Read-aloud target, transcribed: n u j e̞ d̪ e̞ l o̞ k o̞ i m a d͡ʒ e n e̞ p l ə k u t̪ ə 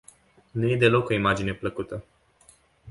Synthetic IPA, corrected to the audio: n u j e̞ d̪ e̞ l o̞ k o̞ i m a d͡ʒ i n e̞ p l ə k u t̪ ə